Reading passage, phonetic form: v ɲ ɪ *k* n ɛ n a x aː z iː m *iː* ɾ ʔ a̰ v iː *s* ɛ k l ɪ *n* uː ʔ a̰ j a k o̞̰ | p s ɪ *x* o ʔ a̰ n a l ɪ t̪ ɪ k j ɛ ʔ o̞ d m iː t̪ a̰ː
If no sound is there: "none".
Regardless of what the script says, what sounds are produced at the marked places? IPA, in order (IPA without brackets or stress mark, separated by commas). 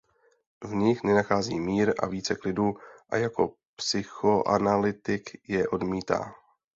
x, iː, t͡s, d, x